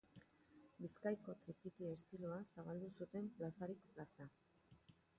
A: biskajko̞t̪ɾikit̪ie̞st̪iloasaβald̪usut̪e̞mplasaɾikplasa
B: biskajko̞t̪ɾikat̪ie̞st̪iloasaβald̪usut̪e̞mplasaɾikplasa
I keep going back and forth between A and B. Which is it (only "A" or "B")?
A